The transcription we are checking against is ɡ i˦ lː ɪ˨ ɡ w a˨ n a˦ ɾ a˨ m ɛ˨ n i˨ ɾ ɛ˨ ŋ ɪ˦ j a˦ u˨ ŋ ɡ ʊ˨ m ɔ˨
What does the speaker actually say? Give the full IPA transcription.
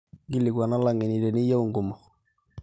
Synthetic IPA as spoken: ɡ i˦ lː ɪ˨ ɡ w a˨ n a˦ l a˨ ŋ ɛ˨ n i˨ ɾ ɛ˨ n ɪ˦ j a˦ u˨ ŋ ɡ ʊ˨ m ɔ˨